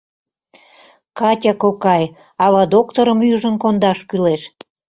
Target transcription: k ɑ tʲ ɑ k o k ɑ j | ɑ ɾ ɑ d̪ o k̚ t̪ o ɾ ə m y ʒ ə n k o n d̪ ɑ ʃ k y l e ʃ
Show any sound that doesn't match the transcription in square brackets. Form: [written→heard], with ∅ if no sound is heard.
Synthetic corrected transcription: k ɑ tʲ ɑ k o k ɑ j | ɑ [ɾ→l] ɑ d̪ o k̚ t̪ o ɾ ə m y ʒ ə n k o n d̪ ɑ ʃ k y l e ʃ

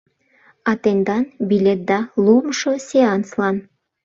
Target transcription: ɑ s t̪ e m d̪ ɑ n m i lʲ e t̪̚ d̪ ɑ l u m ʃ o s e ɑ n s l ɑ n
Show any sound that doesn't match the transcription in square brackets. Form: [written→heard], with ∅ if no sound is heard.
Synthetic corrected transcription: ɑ [s→∅] t̪ e [m→n] d̪ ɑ n [m→b] i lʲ e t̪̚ d̪ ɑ l u m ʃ o s e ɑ n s l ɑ n

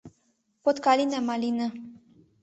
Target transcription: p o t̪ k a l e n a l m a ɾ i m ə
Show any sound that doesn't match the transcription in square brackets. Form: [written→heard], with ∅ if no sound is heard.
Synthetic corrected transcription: p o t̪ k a l [e→i] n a [l→∅] m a [ɾ→l] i [m→n] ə

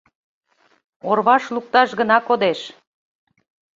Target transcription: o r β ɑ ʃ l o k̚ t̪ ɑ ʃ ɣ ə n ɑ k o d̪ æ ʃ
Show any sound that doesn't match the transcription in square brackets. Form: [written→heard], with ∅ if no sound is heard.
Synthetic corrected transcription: o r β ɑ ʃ l [o→u] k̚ t̪ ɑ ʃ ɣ ə n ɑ k o d̪ [æ→e] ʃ

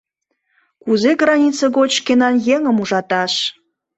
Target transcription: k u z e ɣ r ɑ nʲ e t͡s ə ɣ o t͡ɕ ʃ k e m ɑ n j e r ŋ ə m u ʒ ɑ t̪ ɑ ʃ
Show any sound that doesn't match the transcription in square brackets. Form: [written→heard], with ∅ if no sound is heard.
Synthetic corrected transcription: k u z e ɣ r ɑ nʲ [e→i] t͡s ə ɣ o t͡ɕ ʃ k e [m→n] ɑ n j e [r→∅] ŋ ə m u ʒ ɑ t̪ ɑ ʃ

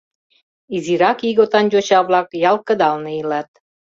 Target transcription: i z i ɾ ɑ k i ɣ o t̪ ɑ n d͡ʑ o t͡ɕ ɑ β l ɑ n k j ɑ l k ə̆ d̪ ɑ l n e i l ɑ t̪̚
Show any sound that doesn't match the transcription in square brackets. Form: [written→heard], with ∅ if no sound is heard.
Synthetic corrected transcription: i z i ɾ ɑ k i ɣ o t̪ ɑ n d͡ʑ o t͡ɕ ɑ β l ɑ [n→∅] k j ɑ l k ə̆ d̪ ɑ l n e i l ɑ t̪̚

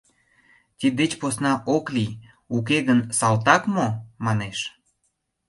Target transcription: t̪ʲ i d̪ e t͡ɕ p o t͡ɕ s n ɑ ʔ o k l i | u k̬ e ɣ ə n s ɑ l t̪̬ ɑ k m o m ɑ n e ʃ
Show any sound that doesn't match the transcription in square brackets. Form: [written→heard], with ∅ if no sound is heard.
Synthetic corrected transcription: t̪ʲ i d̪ e t͡ɕ p o [t͡ɕ→∅] s n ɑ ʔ o k l i | u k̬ e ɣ ə n s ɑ l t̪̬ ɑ k m o m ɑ n e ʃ

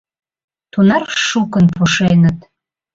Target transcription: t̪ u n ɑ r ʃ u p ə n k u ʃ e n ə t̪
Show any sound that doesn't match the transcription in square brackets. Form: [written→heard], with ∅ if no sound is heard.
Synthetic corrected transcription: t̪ u n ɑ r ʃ u [p→k] ə n [k→p] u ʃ e n ə t̪

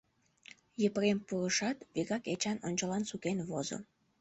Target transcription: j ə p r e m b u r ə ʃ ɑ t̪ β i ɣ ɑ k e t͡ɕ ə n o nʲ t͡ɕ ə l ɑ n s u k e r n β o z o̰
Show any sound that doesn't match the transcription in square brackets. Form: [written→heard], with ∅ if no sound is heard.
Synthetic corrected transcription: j ə p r e m [b→p] u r ə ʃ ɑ t̪ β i ɣ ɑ k e t͡ɕ [ə→ɑ] n o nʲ t͡ɕ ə l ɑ n s u k e [r→∅] n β o z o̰

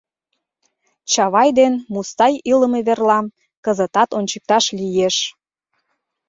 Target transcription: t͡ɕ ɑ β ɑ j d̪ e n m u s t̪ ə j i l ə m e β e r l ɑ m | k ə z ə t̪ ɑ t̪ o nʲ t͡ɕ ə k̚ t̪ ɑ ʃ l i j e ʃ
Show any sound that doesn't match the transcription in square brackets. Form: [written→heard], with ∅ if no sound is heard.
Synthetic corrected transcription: t͡ɕ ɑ β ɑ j d̪ e n m u s t̪ [ə→ɑ] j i l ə m e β e r l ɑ m | k ə z ə t̪ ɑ t̪ o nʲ t͡ɕ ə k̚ t̪ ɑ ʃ l i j e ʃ

